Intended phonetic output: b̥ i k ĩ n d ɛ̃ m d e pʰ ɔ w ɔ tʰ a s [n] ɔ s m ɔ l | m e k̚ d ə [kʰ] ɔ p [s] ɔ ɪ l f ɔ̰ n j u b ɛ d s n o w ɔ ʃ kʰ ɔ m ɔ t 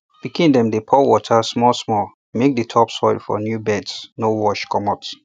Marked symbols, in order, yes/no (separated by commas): no, no, yes